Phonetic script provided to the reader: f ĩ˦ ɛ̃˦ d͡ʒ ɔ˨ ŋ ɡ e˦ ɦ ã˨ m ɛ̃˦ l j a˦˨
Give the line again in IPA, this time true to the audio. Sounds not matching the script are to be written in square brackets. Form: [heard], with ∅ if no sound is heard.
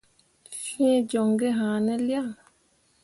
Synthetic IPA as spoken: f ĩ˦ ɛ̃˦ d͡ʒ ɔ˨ ŋ ɡ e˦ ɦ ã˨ [n] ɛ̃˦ l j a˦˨